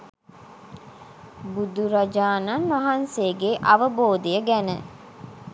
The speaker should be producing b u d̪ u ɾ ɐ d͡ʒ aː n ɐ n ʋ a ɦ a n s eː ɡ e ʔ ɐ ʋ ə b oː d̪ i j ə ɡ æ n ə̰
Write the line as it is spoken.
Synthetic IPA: b u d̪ u ɾ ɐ d͡ʒ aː n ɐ n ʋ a ɦ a n s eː ɡ e ʔ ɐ ʋ ə b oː d̪ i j ə ɡ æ n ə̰